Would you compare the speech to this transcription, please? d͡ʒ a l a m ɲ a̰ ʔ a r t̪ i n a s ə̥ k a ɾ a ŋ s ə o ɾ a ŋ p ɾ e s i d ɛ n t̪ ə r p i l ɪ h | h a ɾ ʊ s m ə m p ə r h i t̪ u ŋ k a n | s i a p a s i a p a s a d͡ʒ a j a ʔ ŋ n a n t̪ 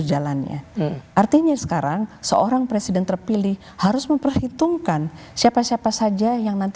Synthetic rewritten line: d͡ʒ a l a n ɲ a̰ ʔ a r t̪ i ɲ a s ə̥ k a ɾ a ŋ s ə o ɾ a ŋ p ɾ e s i d ɛ n t̪ ə r p i l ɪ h | h a ɾ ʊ s m ə m p ə r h i t̪ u ŋ k a n | s i a p a s i a p a s a d͡ʒ a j a ŋ n a n t̪